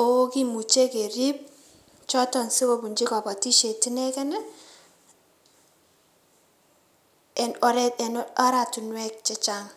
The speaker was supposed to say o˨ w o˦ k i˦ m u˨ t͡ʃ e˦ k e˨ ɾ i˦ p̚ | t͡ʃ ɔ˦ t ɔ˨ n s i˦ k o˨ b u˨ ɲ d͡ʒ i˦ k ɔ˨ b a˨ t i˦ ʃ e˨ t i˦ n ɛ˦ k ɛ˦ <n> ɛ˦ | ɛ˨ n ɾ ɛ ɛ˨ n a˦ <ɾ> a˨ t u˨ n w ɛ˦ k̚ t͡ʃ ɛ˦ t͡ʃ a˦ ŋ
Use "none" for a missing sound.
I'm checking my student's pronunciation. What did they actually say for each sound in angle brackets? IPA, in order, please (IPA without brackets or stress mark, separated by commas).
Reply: n, ɾ